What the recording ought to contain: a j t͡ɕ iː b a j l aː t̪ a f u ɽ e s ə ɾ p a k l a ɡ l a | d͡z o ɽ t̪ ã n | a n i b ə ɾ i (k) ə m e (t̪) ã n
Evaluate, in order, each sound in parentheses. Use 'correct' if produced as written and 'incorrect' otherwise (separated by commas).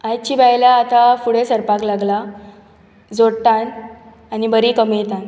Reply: correct, correct